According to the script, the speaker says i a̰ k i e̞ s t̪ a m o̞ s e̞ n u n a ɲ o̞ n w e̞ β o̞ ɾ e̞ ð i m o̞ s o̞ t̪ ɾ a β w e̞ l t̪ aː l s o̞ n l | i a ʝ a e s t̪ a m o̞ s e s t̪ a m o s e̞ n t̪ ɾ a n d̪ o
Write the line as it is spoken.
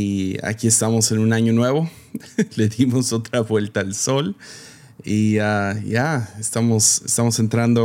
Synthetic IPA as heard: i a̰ k i e̞ s t̪ a m o̞ s e̞ n u n a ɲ o̞ n w e̞ β o̞ l e̞ ð i m o̞ s o̞ t̪ ɾ a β w e̞ l t̪ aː l s o̞ l | i a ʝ a e s t̪ a m o̞ s e s t̪ a m o s e̞ n t̪ ɾ a n d̪ o